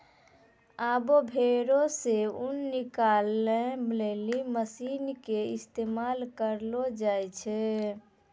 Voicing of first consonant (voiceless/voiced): voiced